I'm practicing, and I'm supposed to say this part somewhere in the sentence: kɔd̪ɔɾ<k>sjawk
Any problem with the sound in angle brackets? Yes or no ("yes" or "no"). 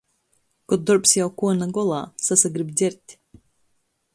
yes